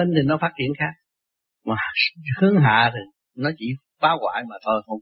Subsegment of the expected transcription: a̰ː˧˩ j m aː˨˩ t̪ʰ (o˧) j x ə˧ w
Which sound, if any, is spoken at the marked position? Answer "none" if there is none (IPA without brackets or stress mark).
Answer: o˧